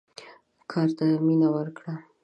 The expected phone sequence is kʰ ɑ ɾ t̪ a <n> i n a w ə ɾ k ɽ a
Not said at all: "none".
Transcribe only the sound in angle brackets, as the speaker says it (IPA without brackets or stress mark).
m